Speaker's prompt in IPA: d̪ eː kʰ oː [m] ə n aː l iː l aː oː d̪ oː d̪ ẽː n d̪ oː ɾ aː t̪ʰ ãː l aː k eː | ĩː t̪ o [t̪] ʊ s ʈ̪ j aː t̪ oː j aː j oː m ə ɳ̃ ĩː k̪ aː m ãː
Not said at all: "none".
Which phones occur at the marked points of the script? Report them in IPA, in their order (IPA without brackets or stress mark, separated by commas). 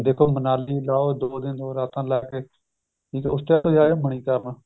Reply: m, none